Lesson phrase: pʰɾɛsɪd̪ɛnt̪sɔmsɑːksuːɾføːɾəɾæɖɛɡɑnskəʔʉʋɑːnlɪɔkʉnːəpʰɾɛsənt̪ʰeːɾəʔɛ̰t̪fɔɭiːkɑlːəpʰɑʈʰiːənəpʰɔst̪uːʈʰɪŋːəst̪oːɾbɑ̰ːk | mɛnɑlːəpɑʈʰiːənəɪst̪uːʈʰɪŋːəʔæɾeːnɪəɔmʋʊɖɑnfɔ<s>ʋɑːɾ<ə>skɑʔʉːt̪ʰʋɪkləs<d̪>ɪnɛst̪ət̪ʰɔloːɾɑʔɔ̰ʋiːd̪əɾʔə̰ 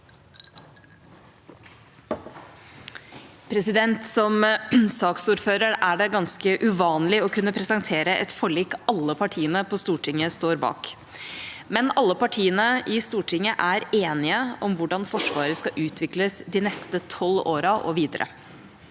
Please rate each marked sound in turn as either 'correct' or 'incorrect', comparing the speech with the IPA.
incorrect, correct, correct

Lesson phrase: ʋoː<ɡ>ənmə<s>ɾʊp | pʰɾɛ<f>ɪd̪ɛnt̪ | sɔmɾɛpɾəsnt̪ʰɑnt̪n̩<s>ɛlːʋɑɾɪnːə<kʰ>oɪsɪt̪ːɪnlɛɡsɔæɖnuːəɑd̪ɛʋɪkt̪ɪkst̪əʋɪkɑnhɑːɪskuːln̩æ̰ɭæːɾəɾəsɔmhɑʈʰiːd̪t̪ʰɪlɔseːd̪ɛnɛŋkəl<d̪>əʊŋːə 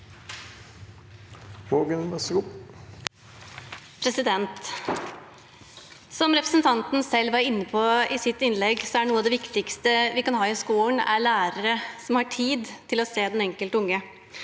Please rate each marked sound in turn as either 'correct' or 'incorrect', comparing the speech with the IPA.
correct, correct, incorrect, correct, incorrect, incorrect

